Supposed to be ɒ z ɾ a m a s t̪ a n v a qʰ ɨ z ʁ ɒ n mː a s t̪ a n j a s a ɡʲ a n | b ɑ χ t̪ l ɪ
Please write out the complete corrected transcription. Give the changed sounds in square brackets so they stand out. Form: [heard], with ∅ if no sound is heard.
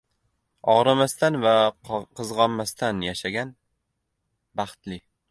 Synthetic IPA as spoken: ɒ [ʁ] ɾ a m a s t̪ a n v a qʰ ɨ z ʁ ɒ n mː a s t̪ a n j a [ʃ] a ɡʲ a n | b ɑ χ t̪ l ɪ